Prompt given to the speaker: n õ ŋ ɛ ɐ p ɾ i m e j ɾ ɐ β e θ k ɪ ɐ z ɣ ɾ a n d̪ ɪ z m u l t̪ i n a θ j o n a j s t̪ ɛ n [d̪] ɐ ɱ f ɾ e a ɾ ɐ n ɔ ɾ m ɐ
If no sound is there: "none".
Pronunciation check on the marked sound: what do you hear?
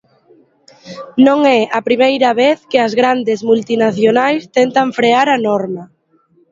t̪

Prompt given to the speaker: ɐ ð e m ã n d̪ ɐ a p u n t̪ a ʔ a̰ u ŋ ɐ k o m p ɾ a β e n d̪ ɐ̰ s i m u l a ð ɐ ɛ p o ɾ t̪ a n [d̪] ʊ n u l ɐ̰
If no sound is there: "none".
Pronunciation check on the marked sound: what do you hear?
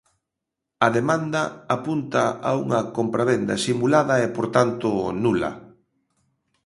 t̪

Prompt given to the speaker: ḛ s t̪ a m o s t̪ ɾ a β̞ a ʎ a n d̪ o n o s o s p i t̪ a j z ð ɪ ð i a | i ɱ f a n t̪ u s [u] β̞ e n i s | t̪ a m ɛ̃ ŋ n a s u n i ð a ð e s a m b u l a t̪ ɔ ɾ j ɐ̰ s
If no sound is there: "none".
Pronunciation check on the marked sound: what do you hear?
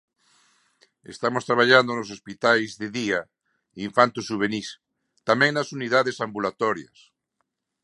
u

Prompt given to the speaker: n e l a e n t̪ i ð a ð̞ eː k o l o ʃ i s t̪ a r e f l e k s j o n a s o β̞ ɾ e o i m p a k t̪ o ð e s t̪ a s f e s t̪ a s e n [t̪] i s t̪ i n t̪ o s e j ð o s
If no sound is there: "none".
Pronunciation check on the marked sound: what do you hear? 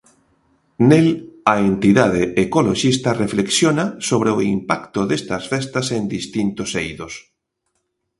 d̪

